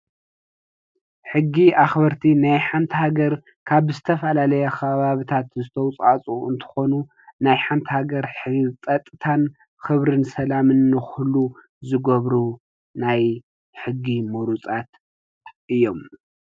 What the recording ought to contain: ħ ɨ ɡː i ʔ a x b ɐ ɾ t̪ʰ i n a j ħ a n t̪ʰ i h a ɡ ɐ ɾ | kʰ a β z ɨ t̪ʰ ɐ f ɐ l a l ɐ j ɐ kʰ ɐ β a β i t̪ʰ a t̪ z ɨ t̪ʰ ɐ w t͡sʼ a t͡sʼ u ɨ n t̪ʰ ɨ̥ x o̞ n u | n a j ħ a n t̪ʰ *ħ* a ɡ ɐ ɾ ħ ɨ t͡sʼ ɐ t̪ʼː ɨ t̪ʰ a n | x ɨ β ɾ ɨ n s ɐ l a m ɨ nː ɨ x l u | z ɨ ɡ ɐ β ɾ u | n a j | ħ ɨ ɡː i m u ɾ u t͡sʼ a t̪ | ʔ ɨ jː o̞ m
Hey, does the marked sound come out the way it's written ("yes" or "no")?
no